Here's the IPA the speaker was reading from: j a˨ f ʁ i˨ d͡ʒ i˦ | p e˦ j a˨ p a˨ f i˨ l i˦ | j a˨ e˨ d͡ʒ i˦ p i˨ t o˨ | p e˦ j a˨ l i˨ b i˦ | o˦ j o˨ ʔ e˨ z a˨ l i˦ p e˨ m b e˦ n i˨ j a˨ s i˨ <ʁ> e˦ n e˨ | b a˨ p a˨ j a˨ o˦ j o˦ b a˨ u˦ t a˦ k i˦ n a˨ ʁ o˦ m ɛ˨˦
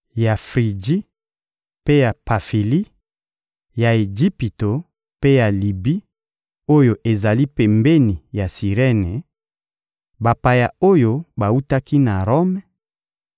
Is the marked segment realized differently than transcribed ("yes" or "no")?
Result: no